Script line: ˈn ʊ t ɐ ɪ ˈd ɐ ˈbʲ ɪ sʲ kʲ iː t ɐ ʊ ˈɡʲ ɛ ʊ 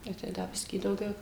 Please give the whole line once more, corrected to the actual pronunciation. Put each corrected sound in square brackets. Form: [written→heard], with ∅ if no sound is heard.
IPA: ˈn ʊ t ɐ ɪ ˈd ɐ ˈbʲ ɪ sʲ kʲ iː [t→d] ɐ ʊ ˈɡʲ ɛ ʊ